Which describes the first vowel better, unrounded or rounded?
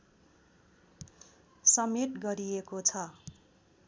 unrounded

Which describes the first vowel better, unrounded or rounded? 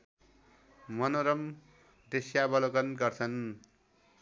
unrounded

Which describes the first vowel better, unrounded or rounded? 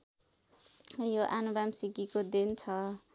rounded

